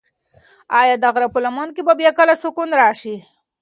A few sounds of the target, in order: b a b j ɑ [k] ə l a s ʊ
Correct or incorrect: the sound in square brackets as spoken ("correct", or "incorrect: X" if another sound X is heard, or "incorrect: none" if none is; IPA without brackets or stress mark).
correct